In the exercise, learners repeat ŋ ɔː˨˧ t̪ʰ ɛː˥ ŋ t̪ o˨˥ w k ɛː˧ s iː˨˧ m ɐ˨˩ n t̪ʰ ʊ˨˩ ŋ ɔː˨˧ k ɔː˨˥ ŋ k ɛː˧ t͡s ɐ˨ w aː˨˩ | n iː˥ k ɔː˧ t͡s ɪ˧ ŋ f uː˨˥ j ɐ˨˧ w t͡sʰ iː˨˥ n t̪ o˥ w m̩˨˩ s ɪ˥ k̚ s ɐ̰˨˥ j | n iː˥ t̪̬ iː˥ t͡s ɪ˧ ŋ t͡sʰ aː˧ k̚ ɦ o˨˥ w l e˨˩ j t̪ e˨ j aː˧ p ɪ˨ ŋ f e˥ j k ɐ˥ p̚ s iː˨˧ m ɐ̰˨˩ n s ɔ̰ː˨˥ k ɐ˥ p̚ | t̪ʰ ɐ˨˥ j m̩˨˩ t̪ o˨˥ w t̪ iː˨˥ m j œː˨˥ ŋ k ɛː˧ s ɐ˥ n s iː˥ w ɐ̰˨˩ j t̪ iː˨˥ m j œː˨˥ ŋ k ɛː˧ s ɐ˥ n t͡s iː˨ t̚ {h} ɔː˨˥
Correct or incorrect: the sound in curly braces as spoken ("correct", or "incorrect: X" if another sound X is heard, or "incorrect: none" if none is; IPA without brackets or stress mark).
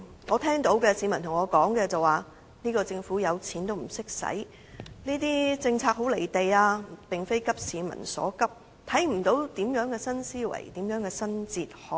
correct